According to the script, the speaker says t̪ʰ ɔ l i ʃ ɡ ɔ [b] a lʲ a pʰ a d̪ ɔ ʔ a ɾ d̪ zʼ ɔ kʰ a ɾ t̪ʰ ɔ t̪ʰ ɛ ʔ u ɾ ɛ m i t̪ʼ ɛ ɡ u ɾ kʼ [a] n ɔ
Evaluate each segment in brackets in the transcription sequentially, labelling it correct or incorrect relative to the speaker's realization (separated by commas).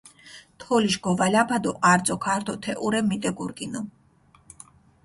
incorrect, incorrect